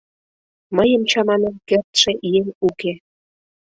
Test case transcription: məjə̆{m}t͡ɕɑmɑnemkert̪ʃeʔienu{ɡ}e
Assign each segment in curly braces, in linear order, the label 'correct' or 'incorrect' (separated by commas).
correct, incorrect